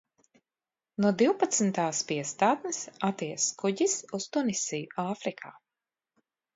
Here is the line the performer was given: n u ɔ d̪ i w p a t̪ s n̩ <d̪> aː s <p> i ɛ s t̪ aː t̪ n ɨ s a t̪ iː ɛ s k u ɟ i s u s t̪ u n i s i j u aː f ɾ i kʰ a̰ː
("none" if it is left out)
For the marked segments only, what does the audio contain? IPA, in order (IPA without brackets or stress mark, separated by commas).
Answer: t̪, p